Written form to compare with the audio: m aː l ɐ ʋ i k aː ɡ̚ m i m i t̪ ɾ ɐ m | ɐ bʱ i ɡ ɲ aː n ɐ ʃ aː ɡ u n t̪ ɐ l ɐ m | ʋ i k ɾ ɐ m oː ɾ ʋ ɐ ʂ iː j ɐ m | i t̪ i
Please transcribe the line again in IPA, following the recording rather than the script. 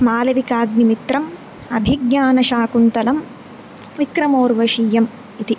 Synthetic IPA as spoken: m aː l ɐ ʋ i k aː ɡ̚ n i m i t̪ ɾ ɐ m | ɐ bʱ i ɡ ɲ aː n ɐ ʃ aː k u n t̪ ɐ l ɐ m | ʋ i k ɾ ɐ m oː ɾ ʋ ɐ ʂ iː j ɐ m | i t̪ i